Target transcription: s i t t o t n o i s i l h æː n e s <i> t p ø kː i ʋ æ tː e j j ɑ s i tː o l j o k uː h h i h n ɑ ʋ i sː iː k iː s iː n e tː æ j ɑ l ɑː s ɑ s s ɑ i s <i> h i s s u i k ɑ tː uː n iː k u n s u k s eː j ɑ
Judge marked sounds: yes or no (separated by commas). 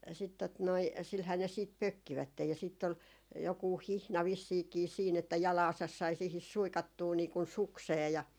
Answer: no, no